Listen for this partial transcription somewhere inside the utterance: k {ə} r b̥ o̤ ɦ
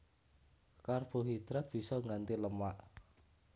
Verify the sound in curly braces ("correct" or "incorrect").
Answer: incorrect